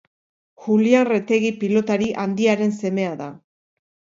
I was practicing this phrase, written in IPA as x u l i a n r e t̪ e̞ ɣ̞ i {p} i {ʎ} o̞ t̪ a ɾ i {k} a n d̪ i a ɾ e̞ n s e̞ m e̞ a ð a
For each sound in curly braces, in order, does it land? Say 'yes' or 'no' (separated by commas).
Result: yes, no, no